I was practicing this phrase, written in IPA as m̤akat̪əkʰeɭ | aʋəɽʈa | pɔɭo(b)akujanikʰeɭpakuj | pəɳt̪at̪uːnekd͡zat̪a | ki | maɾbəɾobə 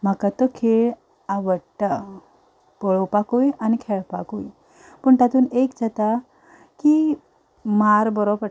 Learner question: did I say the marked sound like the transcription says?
no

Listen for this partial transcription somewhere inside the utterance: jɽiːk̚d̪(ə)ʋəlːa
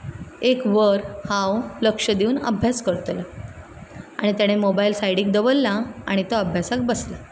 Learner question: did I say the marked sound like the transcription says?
yes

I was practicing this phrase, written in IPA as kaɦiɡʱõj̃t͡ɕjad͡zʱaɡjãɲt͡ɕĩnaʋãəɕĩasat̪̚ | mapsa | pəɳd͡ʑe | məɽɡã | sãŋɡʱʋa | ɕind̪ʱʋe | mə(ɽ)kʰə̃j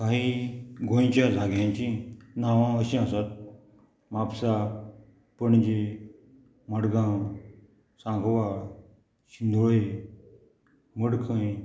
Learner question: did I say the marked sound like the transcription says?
yes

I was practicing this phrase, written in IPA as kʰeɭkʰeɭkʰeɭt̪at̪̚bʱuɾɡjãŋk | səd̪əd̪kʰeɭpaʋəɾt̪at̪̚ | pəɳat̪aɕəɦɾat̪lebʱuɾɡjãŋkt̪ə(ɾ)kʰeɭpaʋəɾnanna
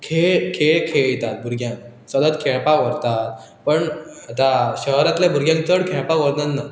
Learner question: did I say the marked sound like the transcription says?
no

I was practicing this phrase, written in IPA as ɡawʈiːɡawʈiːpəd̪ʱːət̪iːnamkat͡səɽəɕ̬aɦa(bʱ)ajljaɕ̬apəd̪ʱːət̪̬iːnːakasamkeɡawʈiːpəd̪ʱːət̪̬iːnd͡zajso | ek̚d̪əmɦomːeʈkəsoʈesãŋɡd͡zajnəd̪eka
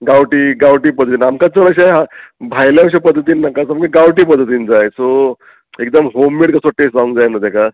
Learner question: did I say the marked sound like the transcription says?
yes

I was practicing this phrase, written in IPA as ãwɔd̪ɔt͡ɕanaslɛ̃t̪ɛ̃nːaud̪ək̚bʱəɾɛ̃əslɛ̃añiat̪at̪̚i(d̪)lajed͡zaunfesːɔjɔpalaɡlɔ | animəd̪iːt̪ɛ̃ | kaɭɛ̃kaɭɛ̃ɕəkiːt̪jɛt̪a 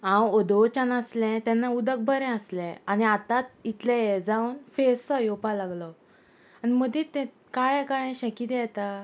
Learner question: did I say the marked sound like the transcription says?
no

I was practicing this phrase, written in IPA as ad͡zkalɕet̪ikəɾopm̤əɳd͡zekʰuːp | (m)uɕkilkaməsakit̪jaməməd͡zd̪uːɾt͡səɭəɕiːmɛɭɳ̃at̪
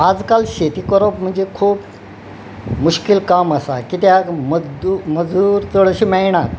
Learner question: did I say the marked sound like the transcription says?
yes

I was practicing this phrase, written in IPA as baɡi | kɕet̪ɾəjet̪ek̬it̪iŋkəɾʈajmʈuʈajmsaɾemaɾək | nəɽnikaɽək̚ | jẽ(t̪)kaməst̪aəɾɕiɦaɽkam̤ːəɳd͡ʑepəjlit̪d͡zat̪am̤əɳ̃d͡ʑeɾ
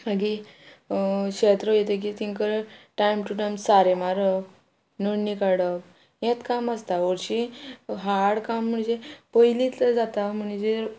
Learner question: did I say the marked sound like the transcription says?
yes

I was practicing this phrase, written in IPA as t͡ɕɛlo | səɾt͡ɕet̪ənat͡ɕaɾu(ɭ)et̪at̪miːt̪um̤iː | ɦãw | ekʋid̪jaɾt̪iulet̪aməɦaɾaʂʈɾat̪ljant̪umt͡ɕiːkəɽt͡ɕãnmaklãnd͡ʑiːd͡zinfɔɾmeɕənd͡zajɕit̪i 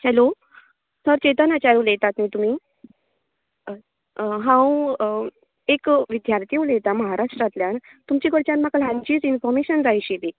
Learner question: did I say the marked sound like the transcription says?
no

